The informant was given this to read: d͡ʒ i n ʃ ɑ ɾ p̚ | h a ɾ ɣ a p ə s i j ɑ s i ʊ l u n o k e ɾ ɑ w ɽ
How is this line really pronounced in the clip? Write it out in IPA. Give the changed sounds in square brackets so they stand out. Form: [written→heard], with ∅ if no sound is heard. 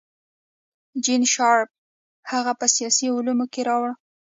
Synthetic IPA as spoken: d͡ʒ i n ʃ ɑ ɾ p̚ | h a [ɾ→∅] ɣ a p ə s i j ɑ s i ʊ l u [n→m] o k e ɾ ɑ w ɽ

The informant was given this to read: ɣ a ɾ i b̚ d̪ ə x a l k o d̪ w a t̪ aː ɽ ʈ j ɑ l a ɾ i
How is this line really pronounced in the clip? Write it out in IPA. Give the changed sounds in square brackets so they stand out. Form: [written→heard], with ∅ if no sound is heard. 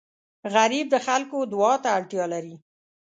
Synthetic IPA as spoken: ɣ a ɾ i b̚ d̪ ə x a l k o d̪ w [a→ɑ] t̪ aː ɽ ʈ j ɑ l a ɾ i

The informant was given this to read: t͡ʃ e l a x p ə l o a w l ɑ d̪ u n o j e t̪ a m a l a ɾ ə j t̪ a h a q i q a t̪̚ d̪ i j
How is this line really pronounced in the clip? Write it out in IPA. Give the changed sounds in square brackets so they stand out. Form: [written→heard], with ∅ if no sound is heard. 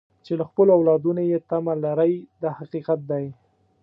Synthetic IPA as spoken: t͡ʃ e l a x p ə l o a w l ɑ d̪ u n o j e t̪ a m a l a ɾ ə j [t̪→d̪] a h a q i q a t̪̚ d̪ [i→a] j

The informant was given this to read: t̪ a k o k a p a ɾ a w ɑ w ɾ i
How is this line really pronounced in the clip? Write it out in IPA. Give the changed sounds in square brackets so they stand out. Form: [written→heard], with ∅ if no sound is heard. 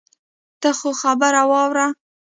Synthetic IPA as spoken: t̪ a [k→x] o [k→x] a [p→b] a ɾ a w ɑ w ɾ [i→a]

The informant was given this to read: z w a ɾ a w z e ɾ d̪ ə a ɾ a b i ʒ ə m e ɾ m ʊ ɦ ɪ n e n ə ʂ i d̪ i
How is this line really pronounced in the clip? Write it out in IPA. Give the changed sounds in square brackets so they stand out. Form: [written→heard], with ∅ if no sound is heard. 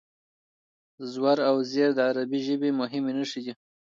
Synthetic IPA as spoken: z w a ɾ a w z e ɾ d̪ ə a ɾ a b i ʒ ə [m→b] e [ɾ→∅] m ʊ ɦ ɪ [n→m] e n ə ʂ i d̪ i

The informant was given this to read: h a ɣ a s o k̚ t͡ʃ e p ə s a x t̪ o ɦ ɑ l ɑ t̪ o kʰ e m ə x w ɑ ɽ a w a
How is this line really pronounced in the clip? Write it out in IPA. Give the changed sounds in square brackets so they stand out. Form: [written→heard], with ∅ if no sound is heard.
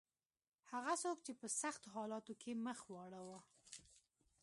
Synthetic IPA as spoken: h a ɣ a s o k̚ t͡ʃ e p ə s a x t̪ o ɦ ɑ l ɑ t̪ o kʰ e m ə x w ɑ ɽ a w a

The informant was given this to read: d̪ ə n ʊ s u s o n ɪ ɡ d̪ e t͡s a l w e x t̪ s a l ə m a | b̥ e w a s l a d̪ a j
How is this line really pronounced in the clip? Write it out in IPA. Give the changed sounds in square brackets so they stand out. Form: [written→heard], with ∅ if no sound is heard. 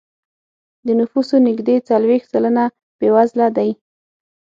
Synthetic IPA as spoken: d̪ ə n ʊ [s→f] u s o n ɪ ɡ d̪ e t͡s a l w e x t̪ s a l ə [m→n] a | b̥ e w a [s→z] l a d̪ a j

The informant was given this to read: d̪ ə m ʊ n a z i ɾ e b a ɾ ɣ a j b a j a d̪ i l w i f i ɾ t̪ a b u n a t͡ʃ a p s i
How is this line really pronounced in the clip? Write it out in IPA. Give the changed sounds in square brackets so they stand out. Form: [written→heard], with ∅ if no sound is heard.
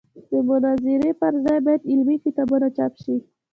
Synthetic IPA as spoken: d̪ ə m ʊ n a z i ɾ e [b→p] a ɾ [ɣ→z] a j b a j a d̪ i l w i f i [ɾ→∅] t̪ a b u n a t͡ʃ a p [s→ʃ] i

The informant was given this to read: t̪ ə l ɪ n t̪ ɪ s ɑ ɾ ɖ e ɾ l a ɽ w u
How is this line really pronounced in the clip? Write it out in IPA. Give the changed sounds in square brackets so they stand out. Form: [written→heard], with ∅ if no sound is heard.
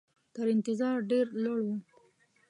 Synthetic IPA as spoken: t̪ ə [l→ɾ] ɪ n t̪ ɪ [s→z] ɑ ɾ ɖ e ɾ l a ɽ w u

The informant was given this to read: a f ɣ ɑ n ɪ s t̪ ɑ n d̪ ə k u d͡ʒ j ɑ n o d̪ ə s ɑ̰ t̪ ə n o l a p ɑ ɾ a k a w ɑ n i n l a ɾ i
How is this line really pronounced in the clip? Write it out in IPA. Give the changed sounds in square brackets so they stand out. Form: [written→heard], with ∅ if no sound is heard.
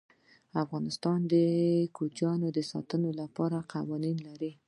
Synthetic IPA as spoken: a f ɣ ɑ n ɪ s t̪ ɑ n d̪ ə k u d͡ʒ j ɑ n o d̪ ə s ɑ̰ t̪ ə n o l a p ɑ ɾ a [k→q] a w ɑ n i n l a ɾ i

